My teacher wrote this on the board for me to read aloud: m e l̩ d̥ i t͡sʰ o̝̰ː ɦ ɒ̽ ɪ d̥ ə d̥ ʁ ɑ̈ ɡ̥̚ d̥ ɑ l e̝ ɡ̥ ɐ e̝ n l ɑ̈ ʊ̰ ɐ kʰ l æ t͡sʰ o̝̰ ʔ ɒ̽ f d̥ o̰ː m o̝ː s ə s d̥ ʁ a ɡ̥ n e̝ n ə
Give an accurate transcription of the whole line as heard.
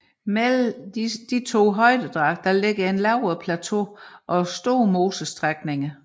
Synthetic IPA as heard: m e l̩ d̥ i t͡sʰ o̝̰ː ɦ ɒ̽ ɪ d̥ ə d̥ ʁ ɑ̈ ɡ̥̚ d̥ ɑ l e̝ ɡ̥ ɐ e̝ n l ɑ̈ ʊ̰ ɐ pʰ l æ t͡sʰ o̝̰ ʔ ɒ̽ s d̥ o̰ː m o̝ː s ə s d̥ ʁ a ɡ̥ n e̝ ŋ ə